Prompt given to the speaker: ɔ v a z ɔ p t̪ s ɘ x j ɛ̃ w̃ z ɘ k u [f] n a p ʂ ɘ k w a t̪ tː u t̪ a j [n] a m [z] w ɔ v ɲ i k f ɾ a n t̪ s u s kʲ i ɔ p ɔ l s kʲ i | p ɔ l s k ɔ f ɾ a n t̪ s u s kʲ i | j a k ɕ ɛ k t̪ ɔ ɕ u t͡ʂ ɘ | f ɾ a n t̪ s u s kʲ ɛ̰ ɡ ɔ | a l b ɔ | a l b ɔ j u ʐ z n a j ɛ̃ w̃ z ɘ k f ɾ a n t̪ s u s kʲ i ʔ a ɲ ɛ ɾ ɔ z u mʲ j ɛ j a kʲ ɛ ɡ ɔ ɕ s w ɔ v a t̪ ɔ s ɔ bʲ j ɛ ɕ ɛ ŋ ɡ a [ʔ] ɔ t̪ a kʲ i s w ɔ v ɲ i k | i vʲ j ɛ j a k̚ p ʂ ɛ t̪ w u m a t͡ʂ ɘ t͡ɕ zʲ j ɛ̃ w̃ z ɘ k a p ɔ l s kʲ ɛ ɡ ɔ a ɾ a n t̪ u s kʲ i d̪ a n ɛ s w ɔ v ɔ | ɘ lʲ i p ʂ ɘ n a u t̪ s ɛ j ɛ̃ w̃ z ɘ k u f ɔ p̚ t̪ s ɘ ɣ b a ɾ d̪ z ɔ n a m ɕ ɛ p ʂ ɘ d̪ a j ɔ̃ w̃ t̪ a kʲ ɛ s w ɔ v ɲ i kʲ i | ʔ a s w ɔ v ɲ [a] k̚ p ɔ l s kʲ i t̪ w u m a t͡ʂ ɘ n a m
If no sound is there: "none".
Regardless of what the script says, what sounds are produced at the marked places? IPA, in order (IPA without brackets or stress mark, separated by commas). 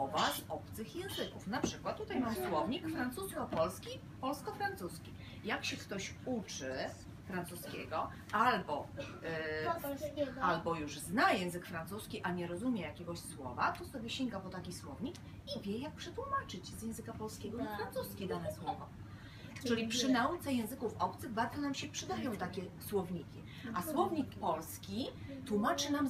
f, m, s, p, i